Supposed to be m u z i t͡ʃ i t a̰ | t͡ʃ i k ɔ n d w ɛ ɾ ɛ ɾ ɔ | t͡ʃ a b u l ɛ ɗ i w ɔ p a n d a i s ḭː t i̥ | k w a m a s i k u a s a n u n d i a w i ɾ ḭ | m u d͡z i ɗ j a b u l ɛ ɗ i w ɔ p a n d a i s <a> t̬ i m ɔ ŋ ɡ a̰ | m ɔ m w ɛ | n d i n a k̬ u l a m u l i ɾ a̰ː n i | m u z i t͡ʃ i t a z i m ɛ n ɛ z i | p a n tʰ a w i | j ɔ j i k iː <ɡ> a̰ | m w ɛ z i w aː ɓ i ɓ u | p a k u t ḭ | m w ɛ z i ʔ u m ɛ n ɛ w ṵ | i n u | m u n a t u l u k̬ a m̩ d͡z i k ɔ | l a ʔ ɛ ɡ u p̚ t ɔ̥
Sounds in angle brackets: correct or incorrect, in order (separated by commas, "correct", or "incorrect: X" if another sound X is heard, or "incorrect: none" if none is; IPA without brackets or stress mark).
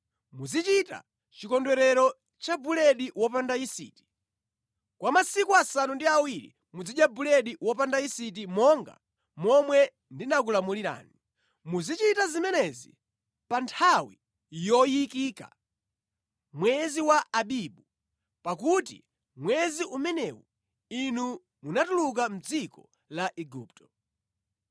incorrect: i, incorrect: k